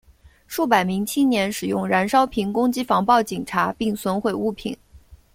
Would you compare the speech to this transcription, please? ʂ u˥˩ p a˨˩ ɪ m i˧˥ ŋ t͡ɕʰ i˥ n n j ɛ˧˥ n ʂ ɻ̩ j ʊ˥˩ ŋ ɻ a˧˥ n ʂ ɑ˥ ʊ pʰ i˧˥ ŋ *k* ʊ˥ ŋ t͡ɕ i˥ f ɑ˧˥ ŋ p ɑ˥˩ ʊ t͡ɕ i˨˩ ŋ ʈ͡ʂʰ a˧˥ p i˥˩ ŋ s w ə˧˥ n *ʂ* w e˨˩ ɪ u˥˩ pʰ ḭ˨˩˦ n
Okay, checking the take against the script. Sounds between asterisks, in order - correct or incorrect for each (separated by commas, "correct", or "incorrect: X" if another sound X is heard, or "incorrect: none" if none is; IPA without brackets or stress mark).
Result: correct, incorrect: x